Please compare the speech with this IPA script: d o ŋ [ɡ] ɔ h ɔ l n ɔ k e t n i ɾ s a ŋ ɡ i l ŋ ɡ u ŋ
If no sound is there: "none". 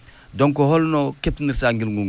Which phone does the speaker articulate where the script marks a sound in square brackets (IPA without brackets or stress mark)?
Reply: k